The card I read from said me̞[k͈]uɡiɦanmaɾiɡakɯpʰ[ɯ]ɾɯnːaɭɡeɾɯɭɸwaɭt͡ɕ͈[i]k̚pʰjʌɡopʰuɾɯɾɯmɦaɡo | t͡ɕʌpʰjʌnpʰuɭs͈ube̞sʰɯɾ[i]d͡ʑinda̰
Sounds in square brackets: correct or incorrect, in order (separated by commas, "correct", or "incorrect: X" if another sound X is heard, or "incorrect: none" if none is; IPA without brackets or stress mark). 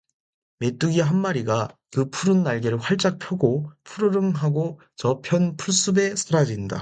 incorrect: t͈, incorrect: u, incorrect: a, incorrect: a